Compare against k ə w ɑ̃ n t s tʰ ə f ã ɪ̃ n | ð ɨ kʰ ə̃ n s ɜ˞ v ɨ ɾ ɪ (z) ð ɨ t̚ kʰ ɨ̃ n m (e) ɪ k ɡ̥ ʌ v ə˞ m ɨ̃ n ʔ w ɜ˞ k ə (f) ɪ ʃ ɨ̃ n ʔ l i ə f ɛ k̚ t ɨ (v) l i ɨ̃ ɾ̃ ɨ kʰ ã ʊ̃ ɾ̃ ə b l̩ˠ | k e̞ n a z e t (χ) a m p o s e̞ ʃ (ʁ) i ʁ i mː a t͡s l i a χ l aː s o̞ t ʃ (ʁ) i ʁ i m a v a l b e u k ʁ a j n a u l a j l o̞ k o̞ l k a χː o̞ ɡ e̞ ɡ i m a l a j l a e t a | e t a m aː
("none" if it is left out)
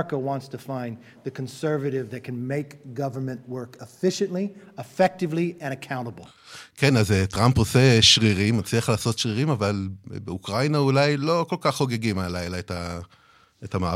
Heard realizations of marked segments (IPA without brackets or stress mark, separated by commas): v, e, f, v, ʁ, ʁ, ʁ